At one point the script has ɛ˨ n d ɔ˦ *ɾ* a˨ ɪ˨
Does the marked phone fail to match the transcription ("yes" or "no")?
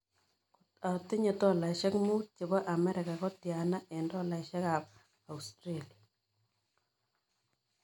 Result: yes